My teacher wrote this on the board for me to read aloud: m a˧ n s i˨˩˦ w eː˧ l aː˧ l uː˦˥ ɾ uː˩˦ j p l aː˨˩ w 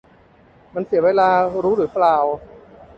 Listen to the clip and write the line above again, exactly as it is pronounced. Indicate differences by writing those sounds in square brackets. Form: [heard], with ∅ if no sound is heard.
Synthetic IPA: m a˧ n s i˨˩˦ w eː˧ l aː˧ [ɾ] uː˦˥ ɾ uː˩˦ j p l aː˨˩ w